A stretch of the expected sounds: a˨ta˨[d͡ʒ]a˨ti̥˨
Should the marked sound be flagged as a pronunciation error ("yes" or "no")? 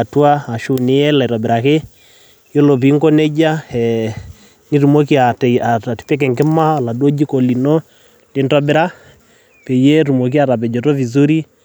yes